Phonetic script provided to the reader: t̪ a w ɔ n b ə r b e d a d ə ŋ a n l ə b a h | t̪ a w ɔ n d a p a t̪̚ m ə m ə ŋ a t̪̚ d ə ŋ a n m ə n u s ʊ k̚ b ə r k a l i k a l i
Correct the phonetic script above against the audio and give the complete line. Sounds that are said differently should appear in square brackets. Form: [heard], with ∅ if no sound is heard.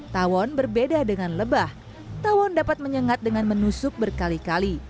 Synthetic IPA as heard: t̪ a w ɔ n b ə r b e d a d ə ŋ a n l ə b a h | t̪ a w ɔ n d a p a t̪̚ m ə [ɲ] ə ŋ a t̪̚ d ə ŋ a n m ə n u s ʊ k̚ b ə r k a l i k a l i

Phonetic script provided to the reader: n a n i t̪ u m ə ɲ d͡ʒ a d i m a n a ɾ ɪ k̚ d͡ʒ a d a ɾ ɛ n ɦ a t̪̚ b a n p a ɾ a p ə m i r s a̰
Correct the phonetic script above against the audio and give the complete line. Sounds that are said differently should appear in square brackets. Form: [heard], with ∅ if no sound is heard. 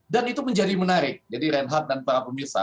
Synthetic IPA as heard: [d] a n i t̪ u m ə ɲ d͡ʒ a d i m [ə] n a ɾ ɪ k̚ d͡ʒ a d [i] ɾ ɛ n ɦ a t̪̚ [d] a n p a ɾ a p ə m i r s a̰

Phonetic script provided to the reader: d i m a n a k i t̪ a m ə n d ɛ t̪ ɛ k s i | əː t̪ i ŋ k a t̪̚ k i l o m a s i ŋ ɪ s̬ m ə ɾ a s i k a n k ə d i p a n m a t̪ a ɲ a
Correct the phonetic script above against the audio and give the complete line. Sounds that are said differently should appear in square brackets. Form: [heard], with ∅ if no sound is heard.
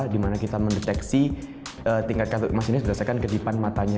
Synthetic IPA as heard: d i m a n a k i t̪ a m ə n d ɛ t̪ ɛ k s i | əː t̪ i ŋ k a t̪̚ k [a] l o m a s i [n] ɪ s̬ [b] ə ɾ a s [a] k a n k ə d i p a n m a t̪ a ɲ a

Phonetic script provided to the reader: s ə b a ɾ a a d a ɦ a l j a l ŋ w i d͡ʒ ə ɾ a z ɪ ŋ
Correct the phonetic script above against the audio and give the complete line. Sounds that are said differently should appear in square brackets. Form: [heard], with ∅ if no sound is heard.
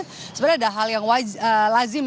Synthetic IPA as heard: s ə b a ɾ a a d a ɦ a l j a [∅] ŋ w [a] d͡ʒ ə [l] a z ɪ [m]

